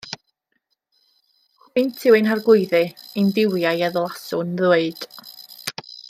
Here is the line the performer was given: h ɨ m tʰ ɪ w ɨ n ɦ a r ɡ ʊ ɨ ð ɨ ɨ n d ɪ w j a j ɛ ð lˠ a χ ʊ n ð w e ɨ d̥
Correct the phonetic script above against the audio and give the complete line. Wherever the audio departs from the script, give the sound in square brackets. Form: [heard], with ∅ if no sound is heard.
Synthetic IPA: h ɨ [n] tʰ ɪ w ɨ n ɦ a r ɡ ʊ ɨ ð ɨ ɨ n d ɪ w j a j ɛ ð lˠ a [s] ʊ n ð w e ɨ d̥